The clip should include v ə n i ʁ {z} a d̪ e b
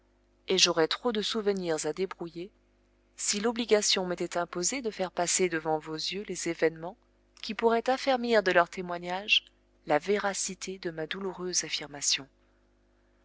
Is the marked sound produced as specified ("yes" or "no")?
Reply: yes